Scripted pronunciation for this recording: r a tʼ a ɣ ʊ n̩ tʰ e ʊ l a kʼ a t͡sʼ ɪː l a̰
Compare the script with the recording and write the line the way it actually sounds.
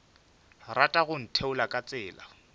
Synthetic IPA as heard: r a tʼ a ɣ ʊ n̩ tʰ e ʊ l a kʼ a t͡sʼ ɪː l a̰